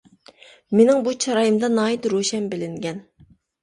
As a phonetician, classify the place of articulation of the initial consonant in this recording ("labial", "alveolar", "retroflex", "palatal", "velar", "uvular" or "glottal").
labial